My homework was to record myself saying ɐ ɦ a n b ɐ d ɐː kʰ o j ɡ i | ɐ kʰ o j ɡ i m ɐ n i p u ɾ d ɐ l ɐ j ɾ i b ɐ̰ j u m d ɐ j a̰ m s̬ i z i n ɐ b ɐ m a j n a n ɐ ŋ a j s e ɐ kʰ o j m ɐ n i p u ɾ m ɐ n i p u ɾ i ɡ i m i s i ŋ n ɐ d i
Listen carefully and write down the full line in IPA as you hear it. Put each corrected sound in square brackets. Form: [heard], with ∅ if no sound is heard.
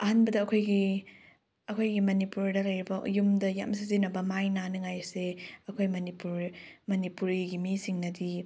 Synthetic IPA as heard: ɐ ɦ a n b ɐ d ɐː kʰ o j ɡ i | ɐ kʰ o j ɡ i m ɐ n i p u ɾ d ɐ l ɐ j ɾ i b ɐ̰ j u m d ɐ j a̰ m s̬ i z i n ɐ b ɐ m a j n a n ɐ ŋ a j s e ɐ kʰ o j m ɐ n i p u ɾ m ɐ n i p u ɾ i ɡ i m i s i ŋ n ɐ d i